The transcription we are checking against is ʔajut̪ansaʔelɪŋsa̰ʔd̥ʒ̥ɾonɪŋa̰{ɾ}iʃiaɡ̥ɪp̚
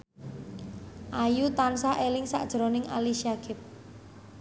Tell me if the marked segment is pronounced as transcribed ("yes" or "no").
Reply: no